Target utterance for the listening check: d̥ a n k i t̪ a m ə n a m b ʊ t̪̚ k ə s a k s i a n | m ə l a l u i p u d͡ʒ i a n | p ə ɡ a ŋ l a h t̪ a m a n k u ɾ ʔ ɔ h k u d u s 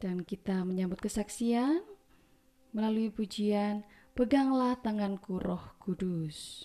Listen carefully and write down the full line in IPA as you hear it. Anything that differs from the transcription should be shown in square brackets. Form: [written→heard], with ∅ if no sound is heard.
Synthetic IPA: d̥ a n k i t̪ a m ə [n→ɲ] a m b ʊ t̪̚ k ə s a k s i a n | m ə l a l u i p u d͡ʒ i a n | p ə ɡ a ŋ l a h t̪ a [m→ŋ] a n k u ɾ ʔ ɔ h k u d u s